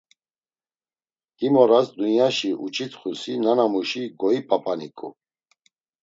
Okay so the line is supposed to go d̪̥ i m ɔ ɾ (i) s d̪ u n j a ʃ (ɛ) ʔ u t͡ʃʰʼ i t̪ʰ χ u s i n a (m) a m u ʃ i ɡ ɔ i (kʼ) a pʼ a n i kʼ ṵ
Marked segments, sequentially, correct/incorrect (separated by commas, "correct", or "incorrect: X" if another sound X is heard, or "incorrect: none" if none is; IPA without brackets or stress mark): incorrect: a, incorrect: i, incorrect: n, incorrect: pʼ